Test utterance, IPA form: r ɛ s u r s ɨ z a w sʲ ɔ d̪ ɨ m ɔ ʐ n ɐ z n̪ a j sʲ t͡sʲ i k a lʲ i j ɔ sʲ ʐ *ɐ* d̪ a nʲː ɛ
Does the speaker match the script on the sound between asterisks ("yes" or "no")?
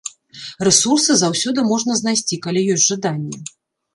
no